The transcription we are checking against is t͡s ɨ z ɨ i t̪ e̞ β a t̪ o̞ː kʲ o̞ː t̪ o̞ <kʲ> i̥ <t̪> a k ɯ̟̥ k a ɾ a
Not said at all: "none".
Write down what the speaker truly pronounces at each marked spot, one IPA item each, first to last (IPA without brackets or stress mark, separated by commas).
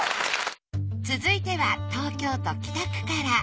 kʲ, t̪